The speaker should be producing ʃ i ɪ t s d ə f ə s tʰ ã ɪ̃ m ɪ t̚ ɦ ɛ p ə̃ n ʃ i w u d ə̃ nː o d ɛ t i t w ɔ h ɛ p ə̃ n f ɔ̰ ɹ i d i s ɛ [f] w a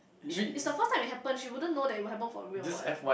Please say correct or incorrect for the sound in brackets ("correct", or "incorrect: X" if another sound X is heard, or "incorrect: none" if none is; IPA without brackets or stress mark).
correct